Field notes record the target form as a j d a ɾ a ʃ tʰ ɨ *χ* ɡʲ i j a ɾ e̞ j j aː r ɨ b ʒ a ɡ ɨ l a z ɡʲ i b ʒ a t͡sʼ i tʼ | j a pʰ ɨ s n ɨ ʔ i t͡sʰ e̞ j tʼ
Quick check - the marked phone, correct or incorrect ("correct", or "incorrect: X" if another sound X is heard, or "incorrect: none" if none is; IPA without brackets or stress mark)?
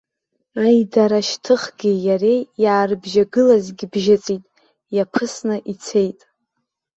correct